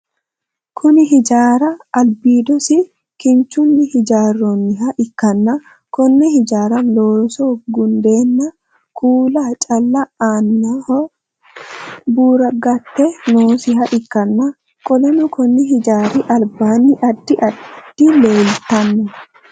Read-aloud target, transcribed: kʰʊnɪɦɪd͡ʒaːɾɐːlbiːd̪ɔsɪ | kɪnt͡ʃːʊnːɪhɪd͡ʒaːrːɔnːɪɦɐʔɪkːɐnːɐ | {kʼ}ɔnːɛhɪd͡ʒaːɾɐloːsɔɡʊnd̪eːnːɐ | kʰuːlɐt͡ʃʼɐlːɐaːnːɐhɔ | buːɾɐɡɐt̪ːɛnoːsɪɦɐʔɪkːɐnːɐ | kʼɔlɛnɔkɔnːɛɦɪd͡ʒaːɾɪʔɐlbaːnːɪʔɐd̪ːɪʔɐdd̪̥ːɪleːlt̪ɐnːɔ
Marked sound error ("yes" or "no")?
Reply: yes